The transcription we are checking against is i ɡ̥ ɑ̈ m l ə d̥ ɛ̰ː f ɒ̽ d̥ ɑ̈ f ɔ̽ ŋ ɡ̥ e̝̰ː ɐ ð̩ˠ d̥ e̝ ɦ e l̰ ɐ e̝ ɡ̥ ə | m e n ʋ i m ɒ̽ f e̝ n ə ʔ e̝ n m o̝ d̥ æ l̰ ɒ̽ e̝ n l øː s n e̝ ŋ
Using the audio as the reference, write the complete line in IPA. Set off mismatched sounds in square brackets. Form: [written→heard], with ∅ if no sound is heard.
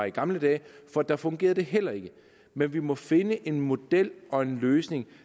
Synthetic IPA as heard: i ɡ̥ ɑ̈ m l ə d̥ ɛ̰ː f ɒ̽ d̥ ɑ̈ f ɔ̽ ŋ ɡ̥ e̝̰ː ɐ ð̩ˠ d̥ e̝ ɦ e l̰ ɐ e̝ ɡ̥ ə | m e n ʋ i m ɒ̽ f e̝ n ə ʔ e̝ n m o̝ d̥ [æ→e] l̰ ɒ̽ e̝ n l øː s n e̝ ŋ